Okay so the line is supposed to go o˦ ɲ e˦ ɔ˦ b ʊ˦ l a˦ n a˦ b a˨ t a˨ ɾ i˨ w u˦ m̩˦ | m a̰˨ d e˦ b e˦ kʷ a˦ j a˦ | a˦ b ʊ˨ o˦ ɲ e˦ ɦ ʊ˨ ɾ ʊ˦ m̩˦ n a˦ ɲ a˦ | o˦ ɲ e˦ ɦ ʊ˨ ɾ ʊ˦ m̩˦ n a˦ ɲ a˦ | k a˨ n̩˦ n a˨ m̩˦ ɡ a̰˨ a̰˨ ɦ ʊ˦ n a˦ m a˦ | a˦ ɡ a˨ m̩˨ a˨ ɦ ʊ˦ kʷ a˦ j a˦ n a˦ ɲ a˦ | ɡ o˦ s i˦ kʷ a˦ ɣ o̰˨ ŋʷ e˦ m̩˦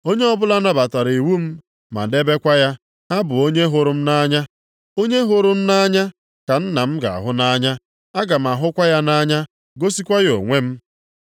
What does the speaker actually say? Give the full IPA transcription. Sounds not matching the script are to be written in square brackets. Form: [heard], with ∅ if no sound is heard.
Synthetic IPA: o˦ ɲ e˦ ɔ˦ b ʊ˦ l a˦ n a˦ b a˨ t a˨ ɾ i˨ w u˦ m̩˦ | m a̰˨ d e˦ b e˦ kʷ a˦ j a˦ | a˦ b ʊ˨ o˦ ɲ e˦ ɦ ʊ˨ ɾ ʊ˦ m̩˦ n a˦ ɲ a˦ | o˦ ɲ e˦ ɦ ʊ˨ ɾ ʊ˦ m̩˦ n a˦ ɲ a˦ | k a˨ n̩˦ n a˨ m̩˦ ɡ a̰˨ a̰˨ ɦ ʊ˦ n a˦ [ɲ] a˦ | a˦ ɡ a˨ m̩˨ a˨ ɦ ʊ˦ kʷ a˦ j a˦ n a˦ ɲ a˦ | ɡ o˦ s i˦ kʷ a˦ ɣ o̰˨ ŋʷ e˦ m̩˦

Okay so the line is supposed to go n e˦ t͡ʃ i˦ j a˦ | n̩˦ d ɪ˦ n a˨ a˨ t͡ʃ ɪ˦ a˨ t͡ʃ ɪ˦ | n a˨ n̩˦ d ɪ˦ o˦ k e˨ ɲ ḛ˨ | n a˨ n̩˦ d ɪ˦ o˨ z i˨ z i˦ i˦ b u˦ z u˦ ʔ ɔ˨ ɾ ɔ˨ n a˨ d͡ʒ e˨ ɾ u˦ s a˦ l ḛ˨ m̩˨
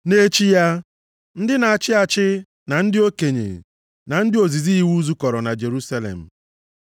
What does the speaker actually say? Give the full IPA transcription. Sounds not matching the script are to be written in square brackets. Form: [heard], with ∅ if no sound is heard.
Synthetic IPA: n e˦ t͡ʃ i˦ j a˦ | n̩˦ d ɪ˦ n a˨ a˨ t͡ʃ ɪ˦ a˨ t͡ʃ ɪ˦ | n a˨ n̩˦ d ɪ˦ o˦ k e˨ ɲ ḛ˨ | n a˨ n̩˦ d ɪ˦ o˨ z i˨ z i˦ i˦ [w] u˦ z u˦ [k] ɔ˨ ɾ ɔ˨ n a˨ d͡ʒ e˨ ɾ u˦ s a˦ l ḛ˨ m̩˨

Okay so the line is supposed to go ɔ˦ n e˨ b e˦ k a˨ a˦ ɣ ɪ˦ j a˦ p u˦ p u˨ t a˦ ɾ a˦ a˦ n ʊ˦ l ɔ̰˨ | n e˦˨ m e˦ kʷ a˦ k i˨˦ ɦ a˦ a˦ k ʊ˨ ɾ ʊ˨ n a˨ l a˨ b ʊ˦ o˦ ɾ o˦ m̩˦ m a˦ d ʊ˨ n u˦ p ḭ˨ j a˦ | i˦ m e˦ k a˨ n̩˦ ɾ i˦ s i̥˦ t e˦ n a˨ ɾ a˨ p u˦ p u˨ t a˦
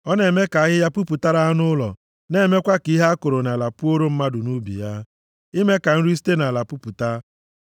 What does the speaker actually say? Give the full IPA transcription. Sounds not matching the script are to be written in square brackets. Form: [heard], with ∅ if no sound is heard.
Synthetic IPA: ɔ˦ n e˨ [m] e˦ k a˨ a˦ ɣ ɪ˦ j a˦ p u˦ p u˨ t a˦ ɾ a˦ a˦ n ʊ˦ l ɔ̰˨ | n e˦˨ m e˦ kʷ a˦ k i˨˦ ɦ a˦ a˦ k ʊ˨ ɾ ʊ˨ n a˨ l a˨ [p] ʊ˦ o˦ ɾ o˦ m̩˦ m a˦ d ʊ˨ n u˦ [b] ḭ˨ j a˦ | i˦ m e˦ k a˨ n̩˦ ɾ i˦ s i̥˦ t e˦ n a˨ [l] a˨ p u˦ p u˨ t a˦

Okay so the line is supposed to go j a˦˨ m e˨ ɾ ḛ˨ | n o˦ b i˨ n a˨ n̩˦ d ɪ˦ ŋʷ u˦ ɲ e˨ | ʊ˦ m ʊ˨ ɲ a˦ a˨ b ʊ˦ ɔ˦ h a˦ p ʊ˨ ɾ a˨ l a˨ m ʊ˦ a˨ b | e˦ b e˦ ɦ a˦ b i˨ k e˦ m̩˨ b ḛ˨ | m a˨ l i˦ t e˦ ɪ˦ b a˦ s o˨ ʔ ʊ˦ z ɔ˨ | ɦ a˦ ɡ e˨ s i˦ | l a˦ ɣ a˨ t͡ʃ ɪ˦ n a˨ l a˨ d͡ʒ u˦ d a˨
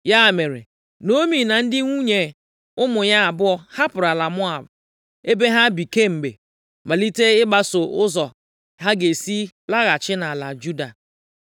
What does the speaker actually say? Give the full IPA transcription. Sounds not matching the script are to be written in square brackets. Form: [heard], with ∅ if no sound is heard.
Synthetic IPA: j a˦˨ m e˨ ɾ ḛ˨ | n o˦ [m] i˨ n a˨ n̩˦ d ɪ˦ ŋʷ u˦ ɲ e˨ | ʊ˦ m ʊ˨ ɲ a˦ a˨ b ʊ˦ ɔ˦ h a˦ p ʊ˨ ɾ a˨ l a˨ m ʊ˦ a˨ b | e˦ b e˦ ɦ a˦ b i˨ k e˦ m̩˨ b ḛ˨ | m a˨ l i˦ t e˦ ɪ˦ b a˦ s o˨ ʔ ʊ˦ z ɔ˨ | ɦ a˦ ɡ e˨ s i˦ | l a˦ ɣ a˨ t͡ʃ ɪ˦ n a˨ l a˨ d͡ʒ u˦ d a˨

